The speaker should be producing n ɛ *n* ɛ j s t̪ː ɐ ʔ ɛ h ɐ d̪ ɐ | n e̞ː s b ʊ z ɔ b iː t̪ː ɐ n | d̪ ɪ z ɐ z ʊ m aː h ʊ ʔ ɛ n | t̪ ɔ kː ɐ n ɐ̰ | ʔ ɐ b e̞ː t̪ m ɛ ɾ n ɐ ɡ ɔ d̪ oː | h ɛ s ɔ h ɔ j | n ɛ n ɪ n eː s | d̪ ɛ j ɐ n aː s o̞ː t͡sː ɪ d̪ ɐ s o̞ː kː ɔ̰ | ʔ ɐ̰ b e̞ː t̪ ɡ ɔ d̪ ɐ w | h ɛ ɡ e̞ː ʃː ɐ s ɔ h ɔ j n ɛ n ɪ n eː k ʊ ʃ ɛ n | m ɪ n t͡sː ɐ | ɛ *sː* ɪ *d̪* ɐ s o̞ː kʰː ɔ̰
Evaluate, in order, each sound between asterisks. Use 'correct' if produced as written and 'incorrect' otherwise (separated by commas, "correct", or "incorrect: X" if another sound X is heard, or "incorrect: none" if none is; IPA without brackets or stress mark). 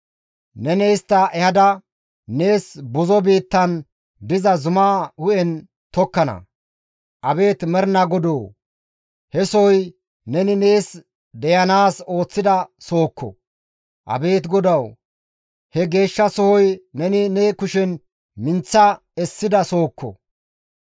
correct, correct, correct